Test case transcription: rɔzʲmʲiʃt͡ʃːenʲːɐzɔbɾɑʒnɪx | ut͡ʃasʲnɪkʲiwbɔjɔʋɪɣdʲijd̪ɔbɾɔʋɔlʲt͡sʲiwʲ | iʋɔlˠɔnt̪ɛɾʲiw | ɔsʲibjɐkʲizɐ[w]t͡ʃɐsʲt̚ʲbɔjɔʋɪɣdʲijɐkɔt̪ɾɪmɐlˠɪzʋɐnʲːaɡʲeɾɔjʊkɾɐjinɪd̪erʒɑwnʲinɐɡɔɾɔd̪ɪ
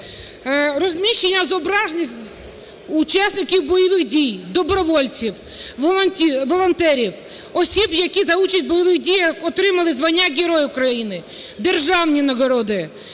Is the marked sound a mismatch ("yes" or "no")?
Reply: yes